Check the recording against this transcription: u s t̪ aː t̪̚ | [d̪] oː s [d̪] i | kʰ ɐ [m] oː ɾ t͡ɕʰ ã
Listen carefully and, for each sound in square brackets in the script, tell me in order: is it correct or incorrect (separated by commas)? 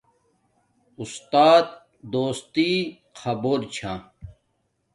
correct, incorrect, incorrect